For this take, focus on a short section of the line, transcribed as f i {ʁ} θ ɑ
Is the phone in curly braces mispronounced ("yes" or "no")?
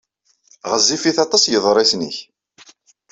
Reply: yes